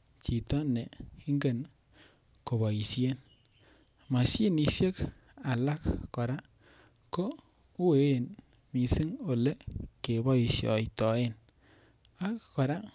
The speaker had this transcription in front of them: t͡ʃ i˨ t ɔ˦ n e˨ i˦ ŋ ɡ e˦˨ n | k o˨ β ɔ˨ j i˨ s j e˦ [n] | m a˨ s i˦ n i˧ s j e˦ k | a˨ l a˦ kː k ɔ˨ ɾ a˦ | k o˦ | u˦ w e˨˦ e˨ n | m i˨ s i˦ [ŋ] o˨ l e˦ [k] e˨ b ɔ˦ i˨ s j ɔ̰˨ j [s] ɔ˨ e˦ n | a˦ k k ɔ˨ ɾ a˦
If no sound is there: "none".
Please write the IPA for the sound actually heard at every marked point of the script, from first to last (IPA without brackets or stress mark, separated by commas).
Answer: n, ŋ, k, t